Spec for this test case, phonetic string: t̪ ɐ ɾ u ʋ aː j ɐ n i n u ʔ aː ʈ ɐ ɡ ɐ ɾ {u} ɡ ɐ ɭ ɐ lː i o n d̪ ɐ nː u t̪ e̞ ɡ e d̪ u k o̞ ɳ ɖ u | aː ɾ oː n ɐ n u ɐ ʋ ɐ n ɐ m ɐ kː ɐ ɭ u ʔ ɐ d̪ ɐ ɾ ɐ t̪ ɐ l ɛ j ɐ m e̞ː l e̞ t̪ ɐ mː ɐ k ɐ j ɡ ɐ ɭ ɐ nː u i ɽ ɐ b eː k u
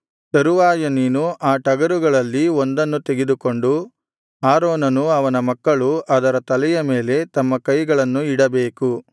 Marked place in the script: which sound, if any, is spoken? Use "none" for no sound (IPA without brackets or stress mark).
u